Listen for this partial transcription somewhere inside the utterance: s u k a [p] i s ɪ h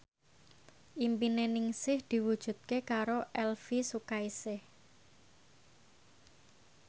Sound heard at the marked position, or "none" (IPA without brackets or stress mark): none